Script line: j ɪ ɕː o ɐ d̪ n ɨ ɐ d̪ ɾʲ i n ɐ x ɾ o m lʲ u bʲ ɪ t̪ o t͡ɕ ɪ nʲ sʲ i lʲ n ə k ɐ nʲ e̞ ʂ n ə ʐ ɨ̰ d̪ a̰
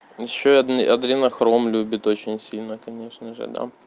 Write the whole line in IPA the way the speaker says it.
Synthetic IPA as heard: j ɪ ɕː o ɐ d̪ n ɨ ɐ d̪ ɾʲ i n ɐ x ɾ o m lʲ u bʲ ɪ t̪ o t͡ɕ ɪ nʲ sʲ i lʲ n ə k ɐ nʲ e̞ ʂ n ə ʐ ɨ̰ d̪ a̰